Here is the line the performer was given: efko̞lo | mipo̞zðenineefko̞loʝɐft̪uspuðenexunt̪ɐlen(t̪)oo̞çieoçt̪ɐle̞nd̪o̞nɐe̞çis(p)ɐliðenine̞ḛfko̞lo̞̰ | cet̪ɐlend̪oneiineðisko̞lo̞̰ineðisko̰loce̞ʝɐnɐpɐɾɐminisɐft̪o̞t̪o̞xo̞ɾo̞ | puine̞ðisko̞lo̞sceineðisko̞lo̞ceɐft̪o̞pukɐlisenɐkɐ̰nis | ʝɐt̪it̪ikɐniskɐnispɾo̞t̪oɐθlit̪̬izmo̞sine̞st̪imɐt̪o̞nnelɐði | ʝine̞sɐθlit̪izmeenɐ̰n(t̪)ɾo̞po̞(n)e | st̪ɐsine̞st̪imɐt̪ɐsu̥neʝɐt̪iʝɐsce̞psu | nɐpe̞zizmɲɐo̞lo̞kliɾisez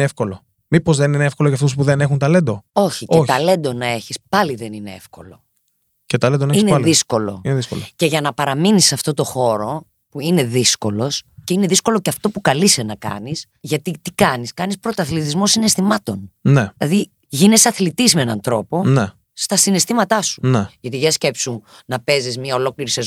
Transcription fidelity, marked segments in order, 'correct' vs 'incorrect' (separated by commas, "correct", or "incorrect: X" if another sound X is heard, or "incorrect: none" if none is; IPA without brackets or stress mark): incorrect: d̪, correct, correct, correct